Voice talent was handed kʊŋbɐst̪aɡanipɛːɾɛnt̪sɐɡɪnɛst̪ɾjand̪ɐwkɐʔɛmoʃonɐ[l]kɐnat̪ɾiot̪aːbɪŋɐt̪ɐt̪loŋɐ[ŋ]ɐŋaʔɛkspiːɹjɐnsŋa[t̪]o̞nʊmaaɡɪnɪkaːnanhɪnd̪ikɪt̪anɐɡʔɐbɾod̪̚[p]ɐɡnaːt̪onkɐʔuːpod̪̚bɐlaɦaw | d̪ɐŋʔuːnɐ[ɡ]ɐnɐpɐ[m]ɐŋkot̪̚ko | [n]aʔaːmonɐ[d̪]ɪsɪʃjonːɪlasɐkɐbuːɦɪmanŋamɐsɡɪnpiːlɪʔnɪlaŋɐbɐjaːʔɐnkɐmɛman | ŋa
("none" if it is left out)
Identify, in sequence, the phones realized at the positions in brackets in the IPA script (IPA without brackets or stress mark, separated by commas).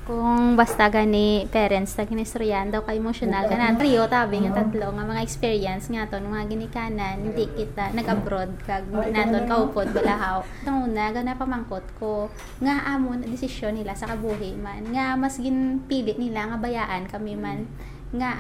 l, m, t̪, k, ɡ, m, ŋ, d̪